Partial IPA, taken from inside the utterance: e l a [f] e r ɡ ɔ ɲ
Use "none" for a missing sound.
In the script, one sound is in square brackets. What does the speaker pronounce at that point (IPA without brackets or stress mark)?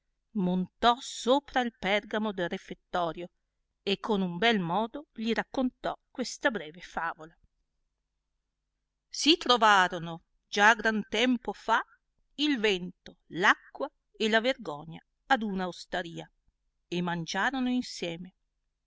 v